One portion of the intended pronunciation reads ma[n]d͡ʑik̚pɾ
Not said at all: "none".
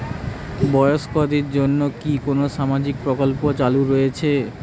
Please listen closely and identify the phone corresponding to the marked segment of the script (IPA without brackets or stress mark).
none